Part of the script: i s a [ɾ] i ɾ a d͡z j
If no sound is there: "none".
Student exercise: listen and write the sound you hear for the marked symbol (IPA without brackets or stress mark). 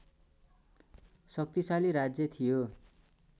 l